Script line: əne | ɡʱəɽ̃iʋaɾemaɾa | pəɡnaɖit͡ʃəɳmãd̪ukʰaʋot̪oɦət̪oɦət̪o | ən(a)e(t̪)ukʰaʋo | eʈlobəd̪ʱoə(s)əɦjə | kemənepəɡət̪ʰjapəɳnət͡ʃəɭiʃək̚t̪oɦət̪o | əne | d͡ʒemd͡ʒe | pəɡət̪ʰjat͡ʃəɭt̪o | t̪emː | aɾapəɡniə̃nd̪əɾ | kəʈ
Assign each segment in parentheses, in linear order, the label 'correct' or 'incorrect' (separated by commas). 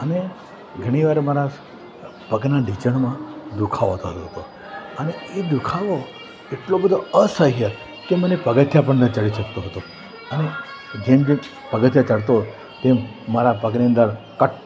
incorrect, incorrect, correct